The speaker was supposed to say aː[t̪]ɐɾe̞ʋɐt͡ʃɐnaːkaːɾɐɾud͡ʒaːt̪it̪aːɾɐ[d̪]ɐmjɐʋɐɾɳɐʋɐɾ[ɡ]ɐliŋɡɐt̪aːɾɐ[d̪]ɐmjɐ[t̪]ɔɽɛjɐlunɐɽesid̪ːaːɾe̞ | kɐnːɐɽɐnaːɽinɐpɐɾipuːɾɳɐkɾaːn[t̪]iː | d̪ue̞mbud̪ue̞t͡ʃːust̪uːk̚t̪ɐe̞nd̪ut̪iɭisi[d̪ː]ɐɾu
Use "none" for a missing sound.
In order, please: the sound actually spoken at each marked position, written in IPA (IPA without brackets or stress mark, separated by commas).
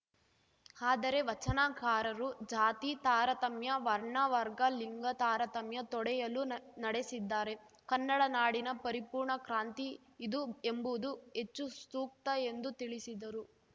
d̪, t̪, ɡ, t̪, t̪, t̪, d̪